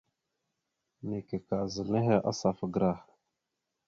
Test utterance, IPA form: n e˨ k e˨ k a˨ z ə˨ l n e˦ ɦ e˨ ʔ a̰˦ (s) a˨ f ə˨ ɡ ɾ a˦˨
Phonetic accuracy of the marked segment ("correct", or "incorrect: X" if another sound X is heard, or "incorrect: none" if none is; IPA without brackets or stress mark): correct